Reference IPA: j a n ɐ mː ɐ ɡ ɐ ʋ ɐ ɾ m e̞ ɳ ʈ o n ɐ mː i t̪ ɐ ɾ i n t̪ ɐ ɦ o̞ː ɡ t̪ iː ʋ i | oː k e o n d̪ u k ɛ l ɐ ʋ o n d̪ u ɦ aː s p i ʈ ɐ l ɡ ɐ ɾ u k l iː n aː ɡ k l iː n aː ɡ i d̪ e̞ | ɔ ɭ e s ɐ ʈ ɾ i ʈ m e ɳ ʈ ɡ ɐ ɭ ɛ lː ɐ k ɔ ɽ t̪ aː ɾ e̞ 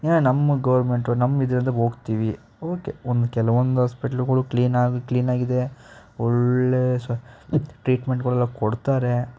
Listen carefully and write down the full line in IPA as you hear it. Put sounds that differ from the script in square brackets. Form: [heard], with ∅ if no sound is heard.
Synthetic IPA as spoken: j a n ɐ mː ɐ ɡ ɐ ʋ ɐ ɾ m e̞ ɳ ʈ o n ɐ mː i [d̪] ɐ ɾ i n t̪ ɐ ɦ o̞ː ɡ t̪ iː ʋ i | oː k e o n d̪ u k ɛ l ɐ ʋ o n d̪ u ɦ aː s p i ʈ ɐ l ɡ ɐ [ɭ] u k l iː n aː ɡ k l iː n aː ɡ i d̪ e̞ | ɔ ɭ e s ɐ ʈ ɾ [iː] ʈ m e ɳ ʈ ɡ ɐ ɭ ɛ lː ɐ k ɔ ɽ t̪ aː ɾ e̞

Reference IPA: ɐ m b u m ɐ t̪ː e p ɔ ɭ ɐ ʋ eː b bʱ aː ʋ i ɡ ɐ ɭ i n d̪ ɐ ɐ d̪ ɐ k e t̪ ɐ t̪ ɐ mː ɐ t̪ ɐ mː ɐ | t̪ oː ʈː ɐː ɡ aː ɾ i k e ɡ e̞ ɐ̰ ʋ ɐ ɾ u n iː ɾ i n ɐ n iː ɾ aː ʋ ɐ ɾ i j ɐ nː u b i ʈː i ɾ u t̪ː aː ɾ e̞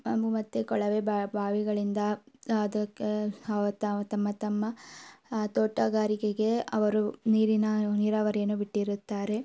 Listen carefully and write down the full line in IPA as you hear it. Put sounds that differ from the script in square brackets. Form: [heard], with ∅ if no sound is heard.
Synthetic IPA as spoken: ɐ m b u m ɐ t̪ː e [k] ɔ ɭ ɐ ʋ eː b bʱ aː ʋ i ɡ ɐ ɭ i n d̪ ɐ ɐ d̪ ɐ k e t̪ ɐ t̪ ɐ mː ɐ t̪ ɐ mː ɐ | t̪ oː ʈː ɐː ɡ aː ɾ i k e ɡ e̞ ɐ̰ ʋ ɐ ɾ u n iː ɾ i n ɐ n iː ɾ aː ʋ ɐ ɾ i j ɐ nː u b i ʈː i ɾ u t̪ː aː ɾ e̞

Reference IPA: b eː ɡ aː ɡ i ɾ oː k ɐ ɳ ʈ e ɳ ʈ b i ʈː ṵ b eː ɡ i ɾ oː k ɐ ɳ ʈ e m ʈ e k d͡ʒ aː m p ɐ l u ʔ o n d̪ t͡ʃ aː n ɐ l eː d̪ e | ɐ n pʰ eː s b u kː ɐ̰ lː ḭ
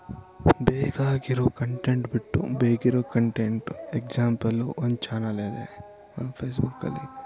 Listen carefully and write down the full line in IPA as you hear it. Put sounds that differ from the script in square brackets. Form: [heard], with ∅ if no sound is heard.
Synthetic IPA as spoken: b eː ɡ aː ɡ i ɾ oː k ɐ ɳ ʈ e ɳ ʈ b i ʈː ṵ b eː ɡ i ɾ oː k ɐ ɳ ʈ e [ɳ] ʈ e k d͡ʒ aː m p ɐ l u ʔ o n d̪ t͡ʃ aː n ɐ l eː d̪ e | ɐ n pʰ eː s b u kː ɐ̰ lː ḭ

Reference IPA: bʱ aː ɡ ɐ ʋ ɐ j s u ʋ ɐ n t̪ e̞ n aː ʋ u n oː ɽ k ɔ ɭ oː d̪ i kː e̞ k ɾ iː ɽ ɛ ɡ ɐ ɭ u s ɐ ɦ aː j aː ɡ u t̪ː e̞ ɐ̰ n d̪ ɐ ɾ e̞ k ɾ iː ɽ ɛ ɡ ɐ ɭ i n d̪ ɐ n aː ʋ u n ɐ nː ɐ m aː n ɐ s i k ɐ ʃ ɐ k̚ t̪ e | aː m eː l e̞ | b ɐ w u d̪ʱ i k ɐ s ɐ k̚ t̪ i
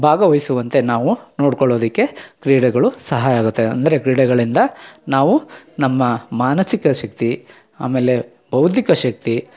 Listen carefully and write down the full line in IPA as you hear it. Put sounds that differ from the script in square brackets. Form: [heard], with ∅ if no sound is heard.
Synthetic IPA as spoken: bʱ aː ɡ ɐ ʋ ɐ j s u ʋ ɐ n t̪ e̞ n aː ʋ u n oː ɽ k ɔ ɭ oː d̪ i kː e̞ k ɾ iː ɽ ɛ ɡ ɐ ɭ u s ɐ ɦ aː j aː ɡ u t̪ː e̞ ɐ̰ n d̪ ɐ ɾ e̞ k ɾ iː ɽ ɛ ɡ ɐ ɭ i n d̪ ɐ n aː ʋ u n ɐ [mː] ɐ m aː n ɐ s i k ɐ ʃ ɐ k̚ t̪ [i] | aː m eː l e̞ | b ɐ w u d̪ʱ i k ɐ [ʃ] ɐ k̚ t̪ i

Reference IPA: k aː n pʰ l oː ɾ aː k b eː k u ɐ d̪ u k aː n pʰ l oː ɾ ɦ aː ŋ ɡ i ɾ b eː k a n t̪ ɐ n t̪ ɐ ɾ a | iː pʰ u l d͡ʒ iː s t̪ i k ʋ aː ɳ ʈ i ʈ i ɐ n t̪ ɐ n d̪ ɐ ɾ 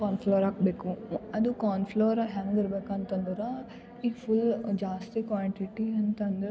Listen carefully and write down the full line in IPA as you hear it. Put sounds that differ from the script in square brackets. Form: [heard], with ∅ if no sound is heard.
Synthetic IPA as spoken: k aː n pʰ l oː ɾ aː k b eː k u ɐ d̪ u k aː n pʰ l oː ɾ ɦ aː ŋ ɡ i ɾ b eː k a n t̪ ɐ n [d̪] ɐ ɾ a | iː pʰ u l d͡ʒ [aː] s t̪ i k ʋ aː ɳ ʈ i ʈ i ɐ n t̪ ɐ n d̪ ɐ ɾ

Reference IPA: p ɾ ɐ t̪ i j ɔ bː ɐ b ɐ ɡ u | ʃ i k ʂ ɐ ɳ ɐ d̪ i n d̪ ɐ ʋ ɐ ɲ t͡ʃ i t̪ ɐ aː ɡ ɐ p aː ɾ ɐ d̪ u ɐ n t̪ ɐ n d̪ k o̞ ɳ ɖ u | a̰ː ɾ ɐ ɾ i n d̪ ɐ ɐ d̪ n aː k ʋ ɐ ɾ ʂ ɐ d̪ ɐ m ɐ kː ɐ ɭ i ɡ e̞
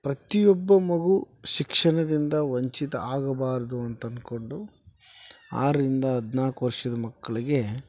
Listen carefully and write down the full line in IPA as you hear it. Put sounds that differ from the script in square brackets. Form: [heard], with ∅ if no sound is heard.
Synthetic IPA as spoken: p ɾ ɐ t̪ i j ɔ bː ɐ [m] ɐ ɡ u | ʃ i k ʂ ɐ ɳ ɐ d̪ i n d̪ ɐ ʋ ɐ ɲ t͡ʃ i t̪ ɐ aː ɡ ɐ [b] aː ɾ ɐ d̪ u ɐ n t̪ ɐ n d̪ k o̞ ɳ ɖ u | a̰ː ɾ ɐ ɾ i n d̪ ɐ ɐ d̪ n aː k ʋ ɐ ɾ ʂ ɐ d̪ ɐ m ɐ kː ɐ ɭ i ɡ e̞

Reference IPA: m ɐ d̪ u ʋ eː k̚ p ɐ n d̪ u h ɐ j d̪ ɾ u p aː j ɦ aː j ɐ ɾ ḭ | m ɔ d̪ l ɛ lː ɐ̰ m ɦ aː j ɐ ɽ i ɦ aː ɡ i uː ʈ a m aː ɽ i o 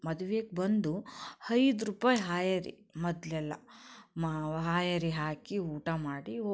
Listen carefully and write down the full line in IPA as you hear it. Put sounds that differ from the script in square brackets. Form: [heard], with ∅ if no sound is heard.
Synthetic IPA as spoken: m ɐ d̪ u ʋ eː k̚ [b] ɐ n d̪ u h ɐ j d̪ ɾ u p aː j ɦ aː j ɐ ɾ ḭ | m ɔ d̪ l ɛ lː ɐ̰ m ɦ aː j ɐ [ɾ] i ɦ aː [k] i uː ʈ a m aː ɽ i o

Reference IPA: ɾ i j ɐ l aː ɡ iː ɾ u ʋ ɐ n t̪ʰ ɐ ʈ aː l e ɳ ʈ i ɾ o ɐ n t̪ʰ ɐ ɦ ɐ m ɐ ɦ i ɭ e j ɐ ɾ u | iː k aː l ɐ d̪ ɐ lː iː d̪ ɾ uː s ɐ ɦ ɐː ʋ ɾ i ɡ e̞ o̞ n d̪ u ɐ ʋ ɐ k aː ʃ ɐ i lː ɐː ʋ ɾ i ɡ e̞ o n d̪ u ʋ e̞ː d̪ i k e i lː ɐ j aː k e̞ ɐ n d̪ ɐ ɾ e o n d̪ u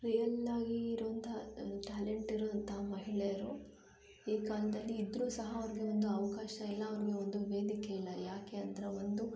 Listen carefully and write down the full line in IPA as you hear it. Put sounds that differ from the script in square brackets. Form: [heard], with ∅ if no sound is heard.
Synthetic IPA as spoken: ɾ i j ɐ l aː ɡ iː ɾ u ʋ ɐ n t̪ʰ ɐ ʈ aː l e ɳ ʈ i ɾ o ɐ n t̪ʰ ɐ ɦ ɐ m ɐ ɦ i ɭ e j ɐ ɾ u | iː k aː l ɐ d̪ ɐ lː iː d̪ ɾ uː s ɐ ɦ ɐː ʋ ɾ i ɡ e̞ o̞ n d̪ u ɐ ʋ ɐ k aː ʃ ɐ i lː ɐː ʋ ɾ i ɡ e̞ o n d̪ u ʋ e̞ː d̪ i k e i lː ɐ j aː k e̞ ɐ n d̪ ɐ ɾ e o n d̪ u

